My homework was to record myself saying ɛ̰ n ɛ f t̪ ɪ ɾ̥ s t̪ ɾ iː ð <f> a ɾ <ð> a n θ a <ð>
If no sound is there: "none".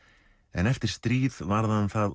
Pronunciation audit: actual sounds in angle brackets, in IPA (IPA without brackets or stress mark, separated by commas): v, ð, ð